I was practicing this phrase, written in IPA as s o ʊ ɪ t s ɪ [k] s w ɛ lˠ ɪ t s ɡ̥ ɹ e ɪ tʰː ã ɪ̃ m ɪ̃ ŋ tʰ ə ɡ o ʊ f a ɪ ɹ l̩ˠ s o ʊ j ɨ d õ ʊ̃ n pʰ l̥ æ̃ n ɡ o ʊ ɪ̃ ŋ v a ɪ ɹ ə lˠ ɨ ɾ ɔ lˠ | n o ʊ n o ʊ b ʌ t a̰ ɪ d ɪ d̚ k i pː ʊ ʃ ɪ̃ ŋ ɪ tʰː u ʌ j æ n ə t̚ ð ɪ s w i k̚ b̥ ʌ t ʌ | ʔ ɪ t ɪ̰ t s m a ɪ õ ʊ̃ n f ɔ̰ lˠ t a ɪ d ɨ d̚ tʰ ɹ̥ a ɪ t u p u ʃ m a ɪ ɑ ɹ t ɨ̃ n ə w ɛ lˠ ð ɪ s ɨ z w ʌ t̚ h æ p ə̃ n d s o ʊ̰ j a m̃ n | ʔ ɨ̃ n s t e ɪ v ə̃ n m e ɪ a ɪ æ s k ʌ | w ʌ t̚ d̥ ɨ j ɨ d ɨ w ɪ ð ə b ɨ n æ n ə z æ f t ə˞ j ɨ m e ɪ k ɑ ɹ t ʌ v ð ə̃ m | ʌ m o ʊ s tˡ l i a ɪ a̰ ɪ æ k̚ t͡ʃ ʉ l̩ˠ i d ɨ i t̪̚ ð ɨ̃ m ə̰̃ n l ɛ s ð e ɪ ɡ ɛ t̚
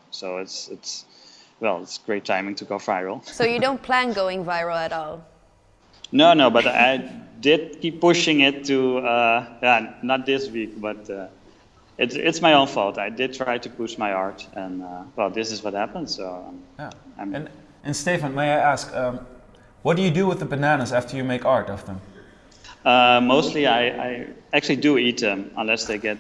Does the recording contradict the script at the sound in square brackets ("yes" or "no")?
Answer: yes